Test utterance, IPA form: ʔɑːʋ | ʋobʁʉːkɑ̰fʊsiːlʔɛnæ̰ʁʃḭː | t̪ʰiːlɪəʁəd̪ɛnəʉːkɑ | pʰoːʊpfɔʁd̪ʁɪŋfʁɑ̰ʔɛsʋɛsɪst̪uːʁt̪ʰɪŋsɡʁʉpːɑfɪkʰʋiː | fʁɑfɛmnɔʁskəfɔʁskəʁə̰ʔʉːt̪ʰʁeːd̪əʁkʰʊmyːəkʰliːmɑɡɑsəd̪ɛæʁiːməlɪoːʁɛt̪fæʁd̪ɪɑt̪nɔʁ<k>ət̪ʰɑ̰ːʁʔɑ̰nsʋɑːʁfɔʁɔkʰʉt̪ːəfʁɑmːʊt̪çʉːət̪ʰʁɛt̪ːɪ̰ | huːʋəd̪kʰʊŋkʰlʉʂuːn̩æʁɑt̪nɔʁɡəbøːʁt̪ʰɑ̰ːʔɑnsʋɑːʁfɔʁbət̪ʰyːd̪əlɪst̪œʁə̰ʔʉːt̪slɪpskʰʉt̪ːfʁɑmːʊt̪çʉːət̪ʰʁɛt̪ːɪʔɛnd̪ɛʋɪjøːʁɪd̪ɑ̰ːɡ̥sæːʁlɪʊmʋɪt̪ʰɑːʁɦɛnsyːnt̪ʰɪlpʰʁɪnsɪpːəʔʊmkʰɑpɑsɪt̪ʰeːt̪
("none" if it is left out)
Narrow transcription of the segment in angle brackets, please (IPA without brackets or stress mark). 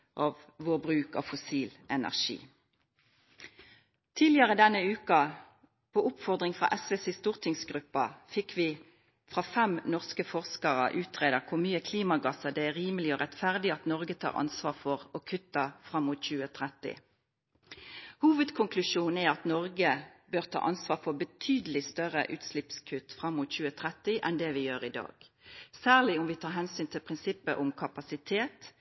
ɡ